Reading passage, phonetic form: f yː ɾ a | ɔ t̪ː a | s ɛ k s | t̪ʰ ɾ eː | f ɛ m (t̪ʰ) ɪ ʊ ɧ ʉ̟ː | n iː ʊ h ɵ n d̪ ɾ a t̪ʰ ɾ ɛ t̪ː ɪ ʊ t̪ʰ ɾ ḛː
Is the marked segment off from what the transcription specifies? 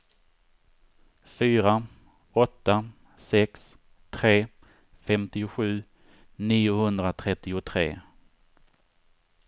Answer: yes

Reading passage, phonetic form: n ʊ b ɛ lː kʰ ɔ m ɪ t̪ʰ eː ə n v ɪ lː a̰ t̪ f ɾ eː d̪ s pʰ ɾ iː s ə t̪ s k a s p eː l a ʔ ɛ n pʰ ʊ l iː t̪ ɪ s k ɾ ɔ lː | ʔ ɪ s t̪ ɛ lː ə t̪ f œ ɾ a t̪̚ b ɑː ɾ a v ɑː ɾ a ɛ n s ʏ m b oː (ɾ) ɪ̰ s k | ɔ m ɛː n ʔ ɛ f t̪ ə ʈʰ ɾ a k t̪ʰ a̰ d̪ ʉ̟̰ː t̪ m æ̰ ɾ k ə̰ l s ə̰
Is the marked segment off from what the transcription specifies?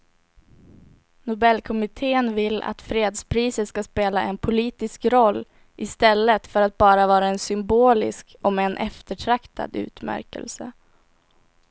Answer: yes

